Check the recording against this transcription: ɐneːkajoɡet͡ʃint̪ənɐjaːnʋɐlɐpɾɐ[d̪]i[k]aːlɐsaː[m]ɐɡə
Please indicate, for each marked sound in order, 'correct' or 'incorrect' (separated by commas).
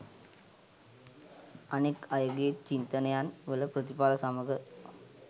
incorrect, incorrect, correct